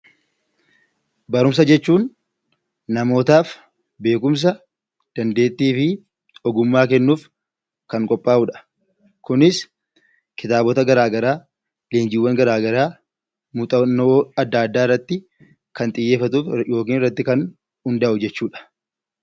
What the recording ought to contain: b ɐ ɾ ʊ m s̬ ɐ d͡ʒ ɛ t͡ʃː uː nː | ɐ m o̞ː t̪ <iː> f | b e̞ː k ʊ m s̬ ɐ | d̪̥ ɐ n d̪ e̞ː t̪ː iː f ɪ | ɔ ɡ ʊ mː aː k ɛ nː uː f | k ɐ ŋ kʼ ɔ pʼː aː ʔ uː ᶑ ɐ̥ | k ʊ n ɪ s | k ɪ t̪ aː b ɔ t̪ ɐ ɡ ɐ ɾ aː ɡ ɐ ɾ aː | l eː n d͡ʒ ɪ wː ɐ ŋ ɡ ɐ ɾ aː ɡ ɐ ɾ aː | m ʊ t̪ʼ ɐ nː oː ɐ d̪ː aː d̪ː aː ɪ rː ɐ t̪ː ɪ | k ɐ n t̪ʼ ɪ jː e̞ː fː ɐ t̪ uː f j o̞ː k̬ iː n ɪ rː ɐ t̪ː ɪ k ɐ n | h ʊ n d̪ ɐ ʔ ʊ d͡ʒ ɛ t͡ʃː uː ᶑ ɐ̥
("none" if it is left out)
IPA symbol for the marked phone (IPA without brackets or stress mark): aː